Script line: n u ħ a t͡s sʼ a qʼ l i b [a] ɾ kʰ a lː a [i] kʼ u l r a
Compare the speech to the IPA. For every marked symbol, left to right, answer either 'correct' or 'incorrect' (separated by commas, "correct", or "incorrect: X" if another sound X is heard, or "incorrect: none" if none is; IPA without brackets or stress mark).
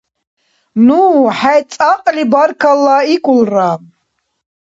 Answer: correct, correct